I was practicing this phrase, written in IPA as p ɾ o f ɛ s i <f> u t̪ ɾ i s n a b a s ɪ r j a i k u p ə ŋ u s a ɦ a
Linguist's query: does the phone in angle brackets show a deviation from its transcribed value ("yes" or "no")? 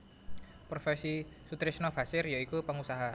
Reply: yes